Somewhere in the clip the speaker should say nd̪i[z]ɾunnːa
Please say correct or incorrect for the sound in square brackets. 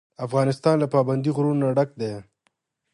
incorrect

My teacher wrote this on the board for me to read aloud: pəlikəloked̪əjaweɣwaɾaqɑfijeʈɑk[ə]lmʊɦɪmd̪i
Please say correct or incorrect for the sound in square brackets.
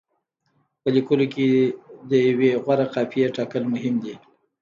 correct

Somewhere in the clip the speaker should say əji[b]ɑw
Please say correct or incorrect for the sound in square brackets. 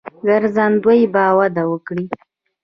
correct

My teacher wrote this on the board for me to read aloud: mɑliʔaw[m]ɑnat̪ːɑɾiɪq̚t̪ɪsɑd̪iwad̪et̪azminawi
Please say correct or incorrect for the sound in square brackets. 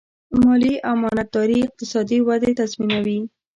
correct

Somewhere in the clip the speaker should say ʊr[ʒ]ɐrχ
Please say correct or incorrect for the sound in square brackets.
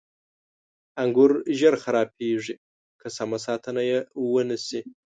correct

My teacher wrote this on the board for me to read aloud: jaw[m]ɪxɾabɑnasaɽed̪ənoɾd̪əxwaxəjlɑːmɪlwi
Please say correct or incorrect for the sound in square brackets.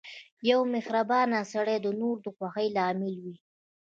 correct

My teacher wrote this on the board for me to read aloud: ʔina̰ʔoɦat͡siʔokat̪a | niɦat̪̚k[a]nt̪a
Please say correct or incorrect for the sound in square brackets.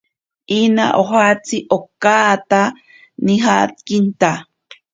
incorrect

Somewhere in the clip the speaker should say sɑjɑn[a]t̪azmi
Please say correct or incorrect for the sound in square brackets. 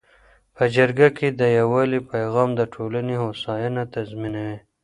correct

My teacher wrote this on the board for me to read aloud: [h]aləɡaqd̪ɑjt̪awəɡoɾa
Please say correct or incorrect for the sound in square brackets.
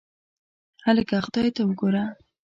correct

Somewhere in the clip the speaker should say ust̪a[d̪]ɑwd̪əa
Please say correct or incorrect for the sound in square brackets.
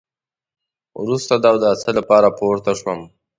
correct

